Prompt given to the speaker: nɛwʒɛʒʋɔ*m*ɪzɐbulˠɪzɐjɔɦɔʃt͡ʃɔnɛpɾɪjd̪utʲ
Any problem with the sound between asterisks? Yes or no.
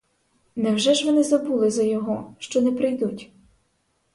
yes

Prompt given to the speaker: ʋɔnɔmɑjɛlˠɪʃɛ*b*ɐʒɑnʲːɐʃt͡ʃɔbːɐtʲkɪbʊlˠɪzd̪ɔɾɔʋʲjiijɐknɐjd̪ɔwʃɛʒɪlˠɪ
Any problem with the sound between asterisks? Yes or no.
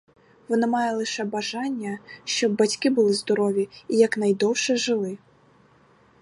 no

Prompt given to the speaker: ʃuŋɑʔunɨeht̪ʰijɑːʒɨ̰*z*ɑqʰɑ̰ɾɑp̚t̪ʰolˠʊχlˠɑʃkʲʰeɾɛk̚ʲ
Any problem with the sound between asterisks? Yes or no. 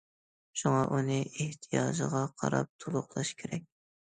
yes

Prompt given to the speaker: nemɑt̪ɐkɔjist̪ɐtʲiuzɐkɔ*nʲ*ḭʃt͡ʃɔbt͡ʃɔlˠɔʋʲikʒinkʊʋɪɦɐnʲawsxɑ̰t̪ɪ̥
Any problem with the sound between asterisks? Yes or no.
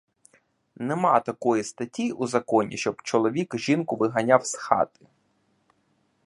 no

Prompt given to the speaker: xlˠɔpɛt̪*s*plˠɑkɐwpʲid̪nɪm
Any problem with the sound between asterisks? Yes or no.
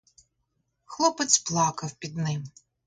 no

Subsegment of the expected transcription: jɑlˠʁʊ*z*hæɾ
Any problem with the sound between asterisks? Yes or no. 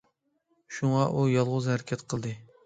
no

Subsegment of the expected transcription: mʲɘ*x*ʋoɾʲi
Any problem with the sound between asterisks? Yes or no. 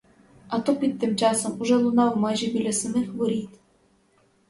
no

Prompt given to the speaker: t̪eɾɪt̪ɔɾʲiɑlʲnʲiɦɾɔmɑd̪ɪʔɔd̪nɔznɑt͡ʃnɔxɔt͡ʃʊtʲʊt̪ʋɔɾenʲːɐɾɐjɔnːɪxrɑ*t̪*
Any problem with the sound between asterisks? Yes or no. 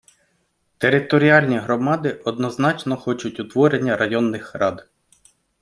yes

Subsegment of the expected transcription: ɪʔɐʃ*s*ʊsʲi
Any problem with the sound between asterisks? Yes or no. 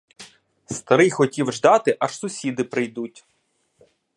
no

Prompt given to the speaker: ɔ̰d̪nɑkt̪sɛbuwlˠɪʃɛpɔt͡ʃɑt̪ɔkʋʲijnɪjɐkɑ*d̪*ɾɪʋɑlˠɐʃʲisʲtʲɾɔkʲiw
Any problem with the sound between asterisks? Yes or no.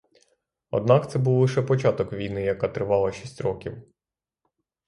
yes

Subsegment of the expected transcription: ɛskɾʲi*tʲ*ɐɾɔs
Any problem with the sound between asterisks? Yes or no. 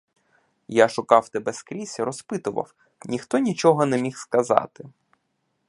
yes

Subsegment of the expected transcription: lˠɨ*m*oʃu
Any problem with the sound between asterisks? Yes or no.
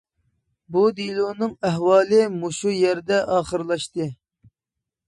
no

